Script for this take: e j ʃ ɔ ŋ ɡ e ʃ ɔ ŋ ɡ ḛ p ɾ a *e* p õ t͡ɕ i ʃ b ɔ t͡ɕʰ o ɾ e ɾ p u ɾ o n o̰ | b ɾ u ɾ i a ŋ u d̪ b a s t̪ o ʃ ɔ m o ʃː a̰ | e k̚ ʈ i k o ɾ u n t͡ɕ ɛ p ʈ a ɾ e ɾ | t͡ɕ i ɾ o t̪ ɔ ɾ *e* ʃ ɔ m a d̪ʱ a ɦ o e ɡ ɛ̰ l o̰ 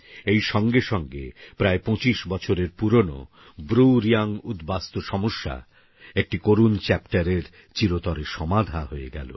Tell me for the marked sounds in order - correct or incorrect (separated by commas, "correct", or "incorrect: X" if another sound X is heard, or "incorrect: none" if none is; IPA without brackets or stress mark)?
correct, correct